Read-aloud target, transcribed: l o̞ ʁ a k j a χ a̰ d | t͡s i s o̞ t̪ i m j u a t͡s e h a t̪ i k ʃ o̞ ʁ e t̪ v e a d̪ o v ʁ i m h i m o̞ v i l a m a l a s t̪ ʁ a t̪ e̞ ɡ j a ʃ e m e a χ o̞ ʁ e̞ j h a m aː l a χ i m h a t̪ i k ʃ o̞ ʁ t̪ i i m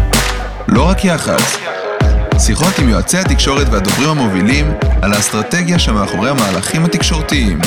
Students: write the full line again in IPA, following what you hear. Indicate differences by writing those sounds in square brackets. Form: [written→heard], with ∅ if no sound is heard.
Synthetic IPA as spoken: l o̞ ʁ a k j a χ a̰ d | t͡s i [s→χ] o̞ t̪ i m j [u→o] a t͡s e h a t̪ i k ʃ o̞ ʁ e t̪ v e a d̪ o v ʁ i m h [i→a] m o̞ v i l [a→i] m a l a s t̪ ʁ a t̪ e̞ ɡ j a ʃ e m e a χ o̞ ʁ e̞ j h a m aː l a χ i m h a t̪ i k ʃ o̞ ʁ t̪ i i m